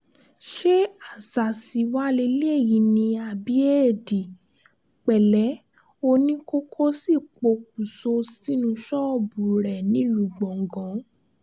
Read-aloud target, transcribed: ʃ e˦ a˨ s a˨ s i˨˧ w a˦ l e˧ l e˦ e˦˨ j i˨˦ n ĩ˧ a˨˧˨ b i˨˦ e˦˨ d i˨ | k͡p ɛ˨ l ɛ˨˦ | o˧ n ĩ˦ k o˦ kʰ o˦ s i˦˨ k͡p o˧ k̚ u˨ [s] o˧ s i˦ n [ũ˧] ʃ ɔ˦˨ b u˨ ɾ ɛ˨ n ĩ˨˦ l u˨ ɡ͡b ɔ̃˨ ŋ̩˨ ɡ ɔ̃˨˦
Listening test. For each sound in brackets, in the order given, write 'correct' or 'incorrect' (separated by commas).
correct, correct